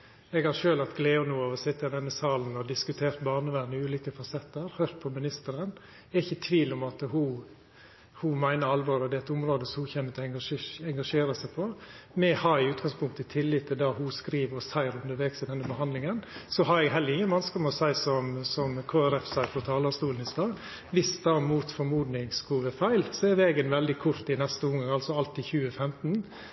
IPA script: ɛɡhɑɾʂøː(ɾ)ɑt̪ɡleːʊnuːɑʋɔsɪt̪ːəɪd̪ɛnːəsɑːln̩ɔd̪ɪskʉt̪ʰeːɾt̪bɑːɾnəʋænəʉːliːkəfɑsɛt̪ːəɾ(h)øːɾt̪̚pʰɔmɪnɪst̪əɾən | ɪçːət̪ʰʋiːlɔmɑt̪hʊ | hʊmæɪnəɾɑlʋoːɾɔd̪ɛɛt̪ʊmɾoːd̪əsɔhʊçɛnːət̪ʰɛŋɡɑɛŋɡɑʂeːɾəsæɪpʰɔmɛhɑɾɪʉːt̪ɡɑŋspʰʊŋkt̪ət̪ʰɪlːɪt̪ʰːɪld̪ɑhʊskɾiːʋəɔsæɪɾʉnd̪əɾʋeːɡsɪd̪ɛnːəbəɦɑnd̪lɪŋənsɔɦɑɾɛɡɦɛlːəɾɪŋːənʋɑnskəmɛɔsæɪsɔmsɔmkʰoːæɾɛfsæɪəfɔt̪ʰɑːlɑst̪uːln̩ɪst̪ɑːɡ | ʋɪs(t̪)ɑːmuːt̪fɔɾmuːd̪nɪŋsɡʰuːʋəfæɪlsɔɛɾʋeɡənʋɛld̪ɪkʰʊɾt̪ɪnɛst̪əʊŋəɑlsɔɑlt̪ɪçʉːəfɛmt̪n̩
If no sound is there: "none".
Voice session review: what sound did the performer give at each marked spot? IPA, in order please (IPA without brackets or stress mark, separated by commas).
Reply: l, h, d̪